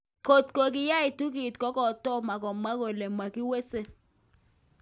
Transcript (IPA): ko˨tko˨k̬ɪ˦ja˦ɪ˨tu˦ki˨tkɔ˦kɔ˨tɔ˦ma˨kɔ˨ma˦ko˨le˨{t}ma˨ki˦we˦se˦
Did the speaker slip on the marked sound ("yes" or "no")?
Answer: yes